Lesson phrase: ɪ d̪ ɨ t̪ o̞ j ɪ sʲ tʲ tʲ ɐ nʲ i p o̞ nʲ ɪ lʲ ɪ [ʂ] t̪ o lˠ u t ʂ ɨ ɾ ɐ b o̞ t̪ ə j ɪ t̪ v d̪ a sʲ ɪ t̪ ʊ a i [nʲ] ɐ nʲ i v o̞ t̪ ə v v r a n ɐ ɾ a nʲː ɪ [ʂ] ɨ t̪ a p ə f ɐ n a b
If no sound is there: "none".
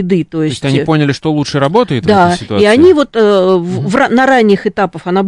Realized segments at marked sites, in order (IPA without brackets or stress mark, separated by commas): ʂ, none, x